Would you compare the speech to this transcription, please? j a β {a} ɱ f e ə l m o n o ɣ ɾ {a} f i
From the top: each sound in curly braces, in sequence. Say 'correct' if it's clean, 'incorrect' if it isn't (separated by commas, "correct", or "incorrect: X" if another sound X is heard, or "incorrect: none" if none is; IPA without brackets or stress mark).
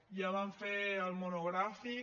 correct, correct